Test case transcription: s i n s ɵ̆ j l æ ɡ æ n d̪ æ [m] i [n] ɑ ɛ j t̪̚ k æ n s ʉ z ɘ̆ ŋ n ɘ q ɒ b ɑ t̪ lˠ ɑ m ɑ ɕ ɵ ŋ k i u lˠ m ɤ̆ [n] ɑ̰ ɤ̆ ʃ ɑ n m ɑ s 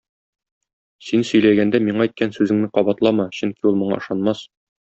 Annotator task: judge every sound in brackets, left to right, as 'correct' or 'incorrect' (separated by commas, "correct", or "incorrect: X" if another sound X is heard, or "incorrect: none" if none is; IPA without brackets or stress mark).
correct, incorrect: ɴ, incorrect: ɴ